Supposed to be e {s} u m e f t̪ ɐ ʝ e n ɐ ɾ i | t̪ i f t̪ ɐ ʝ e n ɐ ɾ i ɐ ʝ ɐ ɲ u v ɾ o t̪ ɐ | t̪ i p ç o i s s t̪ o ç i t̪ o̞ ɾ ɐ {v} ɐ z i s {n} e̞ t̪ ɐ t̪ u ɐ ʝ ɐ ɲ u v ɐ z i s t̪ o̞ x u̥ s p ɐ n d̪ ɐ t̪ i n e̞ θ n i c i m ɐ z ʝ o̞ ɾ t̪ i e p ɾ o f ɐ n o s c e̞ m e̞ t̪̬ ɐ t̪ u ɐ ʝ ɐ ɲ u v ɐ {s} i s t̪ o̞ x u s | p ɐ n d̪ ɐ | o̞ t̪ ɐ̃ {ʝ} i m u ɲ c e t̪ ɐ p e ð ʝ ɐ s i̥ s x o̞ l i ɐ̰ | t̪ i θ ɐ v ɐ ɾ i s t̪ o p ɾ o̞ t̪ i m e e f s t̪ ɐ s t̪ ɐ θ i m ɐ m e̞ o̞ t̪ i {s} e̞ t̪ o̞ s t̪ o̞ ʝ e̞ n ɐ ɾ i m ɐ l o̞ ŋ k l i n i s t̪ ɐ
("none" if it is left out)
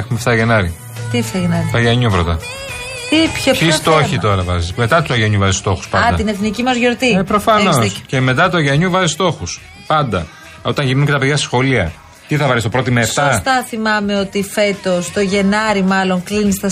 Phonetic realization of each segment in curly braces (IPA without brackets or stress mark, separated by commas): x, v, m, z, ʝ, f